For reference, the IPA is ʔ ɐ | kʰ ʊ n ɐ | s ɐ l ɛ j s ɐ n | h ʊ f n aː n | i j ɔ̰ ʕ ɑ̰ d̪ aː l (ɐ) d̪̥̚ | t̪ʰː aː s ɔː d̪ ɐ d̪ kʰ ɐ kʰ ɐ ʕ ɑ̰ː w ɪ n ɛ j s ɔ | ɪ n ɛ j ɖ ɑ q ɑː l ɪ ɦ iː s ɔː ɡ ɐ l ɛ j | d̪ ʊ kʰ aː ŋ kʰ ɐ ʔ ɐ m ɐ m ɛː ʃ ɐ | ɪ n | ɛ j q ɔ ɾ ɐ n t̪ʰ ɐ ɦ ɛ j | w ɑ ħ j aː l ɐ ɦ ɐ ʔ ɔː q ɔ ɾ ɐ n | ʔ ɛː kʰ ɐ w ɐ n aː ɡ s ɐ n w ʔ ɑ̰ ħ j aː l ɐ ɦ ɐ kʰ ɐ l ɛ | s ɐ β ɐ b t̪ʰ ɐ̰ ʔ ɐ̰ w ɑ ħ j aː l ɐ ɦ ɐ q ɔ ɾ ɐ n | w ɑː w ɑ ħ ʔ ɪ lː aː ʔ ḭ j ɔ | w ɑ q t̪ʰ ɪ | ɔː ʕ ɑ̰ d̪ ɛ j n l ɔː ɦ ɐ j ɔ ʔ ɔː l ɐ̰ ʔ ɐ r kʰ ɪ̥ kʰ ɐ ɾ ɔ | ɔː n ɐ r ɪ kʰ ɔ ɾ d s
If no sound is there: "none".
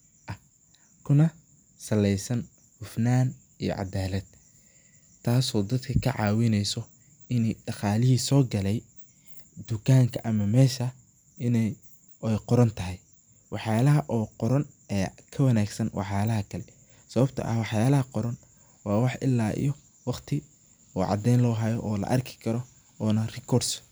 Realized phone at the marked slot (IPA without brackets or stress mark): ɐ